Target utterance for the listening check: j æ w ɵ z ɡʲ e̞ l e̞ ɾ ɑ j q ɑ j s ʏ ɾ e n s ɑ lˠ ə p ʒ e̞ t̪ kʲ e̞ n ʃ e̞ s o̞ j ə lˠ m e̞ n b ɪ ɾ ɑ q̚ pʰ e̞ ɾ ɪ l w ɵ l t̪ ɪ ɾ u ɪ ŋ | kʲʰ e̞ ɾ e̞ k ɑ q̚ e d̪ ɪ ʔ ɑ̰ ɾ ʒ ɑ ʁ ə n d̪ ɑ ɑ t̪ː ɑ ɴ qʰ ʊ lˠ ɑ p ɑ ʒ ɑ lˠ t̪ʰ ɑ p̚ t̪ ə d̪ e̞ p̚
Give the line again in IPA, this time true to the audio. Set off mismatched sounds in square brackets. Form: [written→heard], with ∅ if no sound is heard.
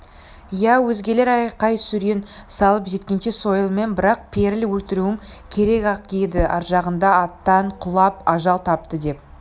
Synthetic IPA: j æ w ɵ z ɡʲ e̞ l e̞ ɾ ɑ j q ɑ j s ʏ ɾ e n s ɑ lˠ ə p ʒ e̞ t̪ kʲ e̞ n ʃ e̞ s o̞ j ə lˠ m e̞ n b ɪ ɾ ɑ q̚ pʰ e̞ ɾ ɪ l w ɵ l t̪ ɪ ɾ u ɪ ŋ | kʲʰ e̞ ɾ e̞ k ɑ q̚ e d̪ ɪ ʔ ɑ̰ ɾ ʒ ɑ ʁ ə n d̪ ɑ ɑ t̪ː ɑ ɴ qʰ ʊ lˠ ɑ p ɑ ʒ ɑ lˠ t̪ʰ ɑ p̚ t̪ ə d̪ e̞ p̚